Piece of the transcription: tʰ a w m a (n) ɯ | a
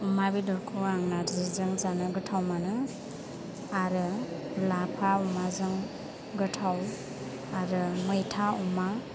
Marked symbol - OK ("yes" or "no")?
yes